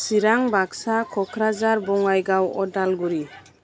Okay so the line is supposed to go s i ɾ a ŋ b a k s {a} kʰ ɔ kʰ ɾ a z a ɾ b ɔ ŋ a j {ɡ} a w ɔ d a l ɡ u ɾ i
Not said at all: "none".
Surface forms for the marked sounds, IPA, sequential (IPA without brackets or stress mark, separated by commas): a, ɡ